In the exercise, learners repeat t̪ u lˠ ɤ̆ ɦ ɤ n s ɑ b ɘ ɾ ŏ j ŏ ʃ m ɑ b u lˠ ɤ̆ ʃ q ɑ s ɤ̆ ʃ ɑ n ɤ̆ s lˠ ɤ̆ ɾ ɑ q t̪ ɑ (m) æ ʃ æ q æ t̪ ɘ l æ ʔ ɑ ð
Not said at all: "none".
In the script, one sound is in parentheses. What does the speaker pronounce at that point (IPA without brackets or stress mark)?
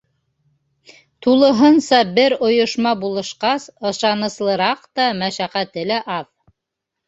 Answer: m